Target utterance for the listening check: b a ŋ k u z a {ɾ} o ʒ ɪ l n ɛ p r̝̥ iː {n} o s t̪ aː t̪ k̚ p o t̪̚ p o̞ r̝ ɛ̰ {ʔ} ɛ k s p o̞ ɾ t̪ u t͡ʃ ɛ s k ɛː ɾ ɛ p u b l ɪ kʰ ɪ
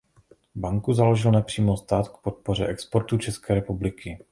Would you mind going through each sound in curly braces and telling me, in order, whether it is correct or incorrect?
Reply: incorrect: l, incorrect: m, correct

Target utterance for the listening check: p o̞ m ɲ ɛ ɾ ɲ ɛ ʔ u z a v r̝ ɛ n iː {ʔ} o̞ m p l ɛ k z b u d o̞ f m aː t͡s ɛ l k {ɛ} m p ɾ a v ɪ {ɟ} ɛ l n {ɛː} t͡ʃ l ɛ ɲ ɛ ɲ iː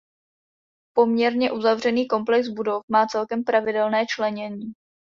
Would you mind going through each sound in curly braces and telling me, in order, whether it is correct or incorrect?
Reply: incorrect: k, correct, incorrect: d, correct

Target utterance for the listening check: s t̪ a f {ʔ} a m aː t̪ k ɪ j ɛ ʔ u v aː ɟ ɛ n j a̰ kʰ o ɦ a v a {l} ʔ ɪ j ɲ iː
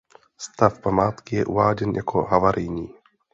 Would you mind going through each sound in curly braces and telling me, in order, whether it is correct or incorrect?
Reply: incorrect: p, incorrect: ɾ

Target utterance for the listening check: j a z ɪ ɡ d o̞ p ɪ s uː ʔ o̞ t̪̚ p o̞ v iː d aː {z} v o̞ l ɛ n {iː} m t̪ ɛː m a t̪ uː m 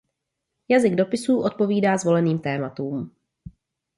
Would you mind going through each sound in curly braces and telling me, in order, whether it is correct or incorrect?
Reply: correct, correct

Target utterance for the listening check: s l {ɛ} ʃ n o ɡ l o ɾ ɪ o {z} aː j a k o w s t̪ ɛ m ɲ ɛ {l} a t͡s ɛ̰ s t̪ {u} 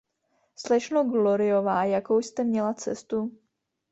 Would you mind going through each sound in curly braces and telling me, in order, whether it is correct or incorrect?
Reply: correct, incorrect: v, correct, correct

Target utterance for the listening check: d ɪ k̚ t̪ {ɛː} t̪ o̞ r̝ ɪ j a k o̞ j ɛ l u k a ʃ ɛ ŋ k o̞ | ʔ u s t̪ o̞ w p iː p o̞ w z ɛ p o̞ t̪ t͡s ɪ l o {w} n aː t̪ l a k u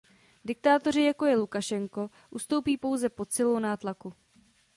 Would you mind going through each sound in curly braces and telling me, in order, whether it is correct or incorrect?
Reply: incorrect: aː, correct

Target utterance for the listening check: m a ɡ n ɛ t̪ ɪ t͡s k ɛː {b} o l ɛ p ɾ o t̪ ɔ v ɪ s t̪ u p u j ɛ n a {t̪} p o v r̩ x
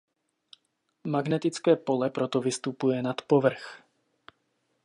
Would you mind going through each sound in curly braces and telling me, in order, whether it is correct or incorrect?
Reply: incorrect: p, correct

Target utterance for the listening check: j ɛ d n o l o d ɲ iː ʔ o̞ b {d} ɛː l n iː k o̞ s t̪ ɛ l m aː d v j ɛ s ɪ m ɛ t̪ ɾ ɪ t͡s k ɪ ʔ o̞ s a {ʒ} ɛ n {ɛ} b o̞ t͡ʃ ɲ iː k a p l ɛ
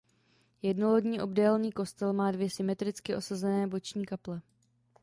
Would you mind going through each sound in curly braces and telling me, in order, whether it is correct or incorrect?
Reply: correct, incorrect: z, incorrect: ɛː

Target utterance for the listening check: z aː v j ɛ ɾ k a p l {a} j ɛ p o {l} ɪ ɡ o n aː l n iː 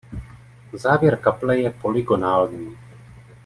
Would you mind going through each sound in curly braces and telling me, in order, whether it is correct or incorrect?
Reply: incorrect: ɛ, correct

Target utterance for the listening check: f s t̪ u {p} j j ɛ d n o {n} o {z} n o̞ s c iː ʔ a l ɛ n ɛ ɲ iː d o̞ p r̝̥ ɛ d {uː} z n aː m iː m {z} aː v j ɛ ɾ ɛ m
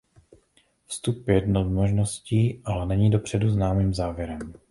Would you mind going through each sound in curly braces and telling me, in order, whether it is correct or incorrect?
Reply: correct, incorrect: m, incorrect: ʒ, incorrect: u, correct

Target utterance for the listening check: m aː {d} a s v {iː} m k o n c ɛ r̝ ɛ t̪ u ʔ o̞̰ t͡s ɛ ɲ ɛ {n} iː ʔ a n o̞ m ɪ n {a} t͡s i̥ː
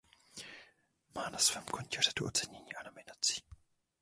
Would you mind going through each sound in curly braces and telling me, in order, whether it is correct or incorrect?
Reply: incorrect: n, incorrect: ɛː, incorrect: ɲ, correct

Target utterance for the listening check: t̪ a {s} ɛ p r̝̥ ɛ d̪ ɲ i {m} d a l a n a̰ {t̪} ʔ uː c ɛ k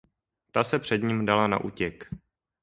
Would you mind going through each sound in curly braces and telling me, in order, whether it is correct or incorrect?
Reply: correct, correct, incorrect: none

